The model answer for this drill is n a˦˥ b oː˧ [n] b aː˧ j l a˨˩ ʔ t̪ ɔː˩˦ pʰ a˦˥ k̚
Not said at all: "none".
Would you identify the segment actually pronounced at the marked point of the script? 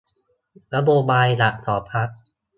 none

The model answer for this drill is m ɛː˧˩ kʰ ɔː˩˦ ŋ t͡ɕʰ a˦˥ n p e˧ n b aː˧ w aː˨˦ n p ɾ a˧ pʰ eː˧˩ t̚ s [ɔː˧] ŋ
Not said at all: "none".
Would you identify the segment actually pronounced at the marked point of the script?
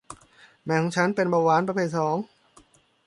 ɔː˩˦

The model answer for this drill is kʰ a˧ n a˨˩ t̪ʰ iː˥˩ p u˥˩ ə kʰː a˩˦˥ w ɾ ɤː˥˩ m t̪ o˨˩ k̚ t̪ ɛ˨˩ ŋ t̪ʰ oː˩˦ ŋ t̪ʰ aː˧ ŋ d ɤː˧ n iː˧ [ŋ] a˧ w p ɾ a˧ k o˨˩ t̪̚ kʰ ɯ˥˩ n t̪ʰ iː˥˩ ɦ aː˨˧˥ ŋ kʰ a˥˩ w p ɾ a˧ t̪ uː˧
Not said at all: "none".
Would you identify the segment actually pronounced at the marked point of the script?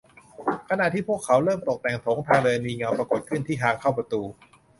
ŋ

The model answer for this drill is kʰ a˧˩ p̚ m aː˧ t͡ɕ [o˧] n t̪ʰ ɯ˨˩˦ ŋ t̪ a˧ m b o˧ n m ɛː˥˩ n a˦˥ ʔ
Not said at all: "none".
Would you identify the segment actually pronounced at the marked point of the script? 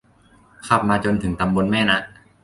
o˧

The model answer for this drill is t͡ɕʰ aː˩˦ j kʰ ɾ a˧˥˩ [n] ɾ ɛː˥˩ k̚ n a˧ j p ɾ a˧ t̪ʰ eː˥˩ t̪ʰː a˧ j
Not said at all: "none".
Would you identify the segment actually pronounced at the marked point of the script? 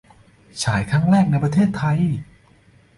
ŋ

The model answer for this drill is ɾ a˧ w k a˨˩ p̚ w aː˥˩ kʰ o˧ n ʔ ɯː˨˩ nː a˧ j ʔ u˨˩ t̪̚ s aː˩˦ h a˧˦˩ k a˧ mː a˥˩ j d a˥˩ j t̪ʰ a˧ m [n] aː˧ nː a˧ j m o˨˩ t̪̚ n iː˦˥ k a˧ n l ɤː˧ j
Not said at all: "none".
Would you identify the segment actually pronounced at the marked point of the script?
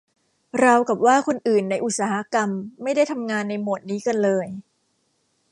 ŋ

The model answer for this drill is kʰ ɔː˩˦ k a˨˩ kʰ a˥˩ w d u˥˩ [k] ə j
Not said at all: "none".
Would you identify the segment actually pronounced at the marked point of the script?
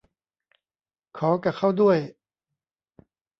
none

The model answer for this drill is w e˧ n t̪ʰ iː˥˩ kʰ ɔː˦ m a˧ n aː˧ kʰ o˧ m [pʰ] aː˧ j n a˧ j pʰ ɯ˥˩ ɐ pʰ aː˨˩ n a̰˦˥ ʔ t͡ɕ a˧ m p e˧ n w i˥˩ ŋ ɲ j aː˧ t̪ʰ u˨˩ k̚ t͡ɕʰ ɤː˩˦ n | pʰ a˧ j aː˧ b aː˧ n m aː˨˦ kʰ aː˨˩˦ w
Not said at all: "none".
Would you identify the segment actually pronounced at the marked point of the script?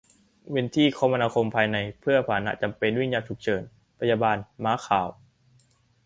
pʰ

